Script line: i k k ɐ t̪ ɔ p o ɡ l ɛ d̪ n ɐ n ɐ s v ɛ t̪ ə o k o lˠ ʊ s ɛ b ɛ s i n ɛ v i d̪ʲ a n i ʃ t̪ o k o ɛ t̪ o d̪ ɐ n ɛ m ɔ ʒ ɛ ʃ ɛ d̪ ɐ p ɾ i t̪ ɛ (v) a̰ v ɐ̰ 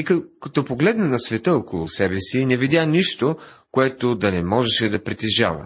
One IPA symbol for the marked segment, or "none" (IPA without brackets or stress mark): ʒ